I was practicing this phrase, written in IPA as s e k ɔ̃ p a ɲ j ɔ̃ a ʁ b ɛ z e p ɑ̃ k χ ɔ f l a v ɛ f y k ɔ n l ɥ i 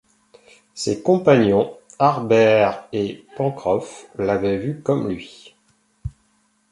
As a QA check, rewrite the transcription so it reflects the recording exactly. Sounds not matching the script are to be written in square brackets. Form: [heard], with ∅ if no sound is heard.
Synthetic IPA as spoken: s e k ɔ̃ p a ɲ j ɔ̃ a ʁ b ɛ [ʁ] e p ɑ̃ k χ ɔ f l a v ɛ [v] y k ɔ [m] l ɥ i